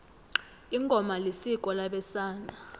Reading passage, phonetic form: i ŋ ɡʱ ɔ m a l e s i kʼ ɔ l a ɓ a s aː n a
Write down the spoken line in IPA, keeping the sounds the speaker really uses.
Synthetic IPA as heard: i ŋ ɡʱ ɔ m a l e s i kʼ ɔ l a ɓ ɛ s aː n a